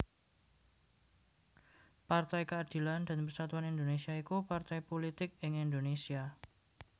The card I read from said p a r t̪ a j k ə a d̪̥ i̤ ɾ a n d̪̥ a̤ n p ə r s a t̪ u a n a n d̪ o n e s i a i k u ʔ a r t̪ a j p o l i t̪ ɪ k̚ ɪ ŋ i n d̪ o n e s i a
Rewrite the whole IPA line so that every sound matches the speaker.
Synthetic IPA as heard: p a r t̪ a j k ə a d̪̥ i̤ l a n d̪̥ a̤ n p ə r s a t̪ u a n i n d̪ o n e s i a i k u p a r t̪ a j p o l i t̪ ɪ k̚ ɪ ŋ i n d̪ o n e s i a